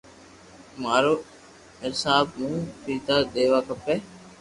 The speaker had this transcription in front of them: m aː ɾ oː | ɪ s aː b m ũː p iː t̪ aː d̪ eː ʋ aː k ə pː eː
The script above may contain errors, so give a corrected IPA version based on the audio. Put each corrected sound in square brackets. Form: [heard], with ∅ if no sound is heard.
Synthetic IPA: m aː ɾ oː | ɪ s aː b m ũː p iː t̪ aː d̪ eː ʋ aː k ə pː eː

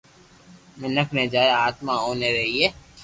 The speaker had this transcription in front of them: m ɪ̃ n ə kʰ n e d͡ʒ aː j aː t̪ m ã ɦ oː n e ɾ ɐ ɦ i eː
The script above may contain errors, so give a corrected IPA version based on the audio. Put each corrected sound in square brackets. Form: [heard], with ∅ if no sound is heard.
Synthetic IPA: m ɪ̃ n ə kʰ n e d͡ʒ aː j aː t̪ m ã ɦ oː n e ɾ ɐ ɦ i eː

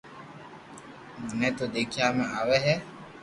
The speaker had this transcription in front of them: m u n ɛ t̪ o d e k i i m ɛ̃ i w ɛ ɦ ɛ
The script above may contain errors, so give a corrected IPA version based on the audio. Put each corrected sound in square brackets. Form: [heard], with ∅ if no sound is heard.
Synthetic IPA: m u n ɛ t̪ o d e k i [a] m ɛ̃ [a] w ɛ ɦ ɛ

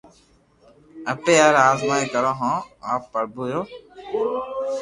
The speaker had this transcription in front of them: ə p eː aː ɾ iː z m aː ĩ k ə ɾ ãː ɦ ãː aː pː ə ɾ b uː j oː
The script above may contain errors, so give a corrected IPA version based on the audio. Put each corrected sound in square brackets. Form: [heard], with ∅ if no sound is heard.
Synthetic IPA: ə p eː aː ɾ [aː] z m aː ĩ k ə ɾ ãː ɦ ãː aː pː ə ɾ b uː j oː

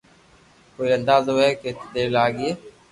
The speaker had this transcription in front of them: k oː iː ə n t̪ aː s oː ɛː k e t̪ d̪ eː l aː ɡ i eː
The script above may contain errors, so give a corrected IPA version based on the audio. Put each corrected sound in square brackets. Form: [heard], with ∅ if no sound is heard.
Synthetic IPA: k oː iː ə n [d̪] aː [z] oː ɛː k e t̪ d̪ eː l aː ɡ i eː

